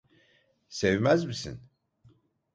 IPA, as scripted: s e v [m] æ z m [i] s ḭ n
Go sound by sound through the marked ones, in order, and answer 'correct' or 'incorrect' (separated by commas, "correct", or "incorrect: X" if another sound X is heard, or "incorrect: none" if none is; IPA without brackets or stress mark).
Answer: correct, correct